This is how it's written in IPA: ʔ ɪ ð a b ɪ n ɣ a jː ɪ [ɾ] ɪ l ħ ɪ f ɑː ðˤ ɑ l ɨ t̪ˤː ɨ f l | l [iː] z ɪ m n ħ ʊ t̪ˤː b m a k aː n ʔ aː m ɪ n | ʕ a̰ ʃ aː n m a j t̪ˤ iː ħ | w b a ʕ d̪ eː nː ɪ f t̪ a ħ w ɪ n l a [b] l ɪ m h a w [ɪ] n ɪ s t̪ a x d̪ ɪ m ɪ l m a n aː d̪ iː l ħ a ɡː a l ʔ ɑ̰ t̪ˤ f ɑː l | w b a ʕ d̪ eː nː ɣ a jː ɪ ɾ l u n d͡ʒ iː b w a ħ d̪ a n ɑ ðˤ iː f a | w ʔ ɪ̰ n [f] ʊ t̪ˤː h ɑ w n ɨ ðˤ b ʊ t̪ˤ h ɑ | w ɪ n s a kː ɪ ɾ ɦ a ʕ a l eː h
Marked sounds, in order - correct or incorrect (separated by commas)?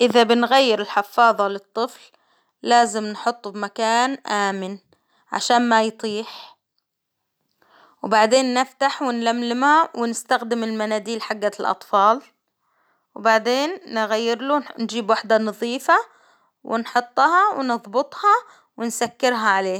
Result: correct, incorrect, incorrect, correct, incorrect